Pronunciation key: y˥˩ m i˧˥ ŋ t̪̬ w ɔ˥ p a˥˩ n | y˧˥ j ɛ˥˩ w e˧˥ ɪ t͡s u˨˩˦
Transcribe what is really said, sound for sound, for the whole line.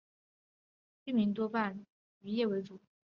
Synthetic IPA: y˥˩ m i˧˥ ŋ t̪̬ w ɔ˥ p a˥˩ n | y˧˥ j ɛ˥˩ w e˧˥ ɪ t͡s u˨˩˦